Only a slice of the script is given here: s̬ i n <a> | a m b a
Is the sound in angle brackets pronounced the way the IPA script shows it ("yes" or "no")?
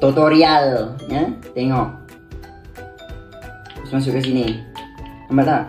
no